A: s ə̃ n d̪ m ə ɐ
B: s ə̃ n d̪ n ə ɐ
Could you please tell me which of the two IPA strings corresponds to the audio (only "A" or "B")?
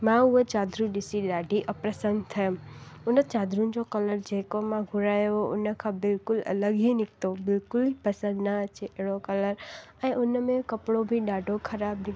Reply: B